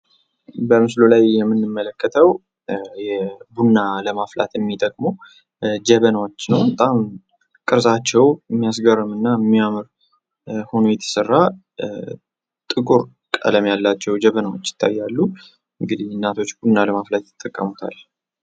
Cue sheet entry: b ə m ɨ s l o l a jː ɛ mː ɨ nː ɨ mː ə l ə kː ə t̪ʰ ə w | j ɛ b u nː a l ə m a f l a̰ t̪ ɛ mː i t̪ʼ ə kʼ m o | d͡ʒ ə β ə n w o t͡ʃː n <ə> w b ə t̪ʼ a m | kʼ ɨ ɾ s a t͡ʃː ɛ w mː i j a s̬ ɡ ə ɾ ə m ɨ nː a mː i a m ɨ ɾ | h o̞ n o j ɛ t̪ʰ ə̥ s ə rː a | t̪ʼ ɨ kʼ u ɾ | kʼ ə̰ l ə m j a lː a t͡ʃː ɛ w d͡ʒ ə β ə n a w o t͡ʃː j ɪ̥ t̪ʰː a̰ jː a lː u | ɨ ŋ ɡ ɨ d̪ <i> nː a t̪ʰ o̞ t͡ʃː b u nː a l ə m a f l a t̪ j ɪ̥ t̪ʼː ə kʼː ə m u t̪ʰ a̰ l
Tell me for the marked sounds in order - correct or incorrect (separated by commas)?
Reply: correct, correct